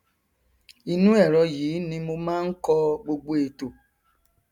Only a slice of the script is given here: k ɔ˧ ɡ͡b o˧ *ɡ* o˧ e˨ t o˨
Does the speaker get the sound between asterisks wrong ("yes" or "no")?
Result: yes